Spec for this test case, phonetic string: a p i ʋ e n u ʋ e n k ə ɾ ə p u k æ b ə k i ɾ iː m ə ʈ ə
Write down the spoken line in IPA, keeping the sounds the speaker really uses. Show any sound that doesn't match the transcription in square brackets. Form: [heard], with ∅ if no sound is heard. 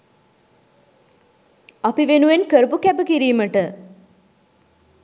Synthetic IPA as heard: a p i ʋ e n u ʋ e n k ə ɾ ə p u k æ b ə k i ɾ iː m ə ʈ ə